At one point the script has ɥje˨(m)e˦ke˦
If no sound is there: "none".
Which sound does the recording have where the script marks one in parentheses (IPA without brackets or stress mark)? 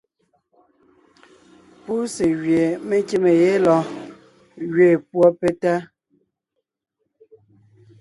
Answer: m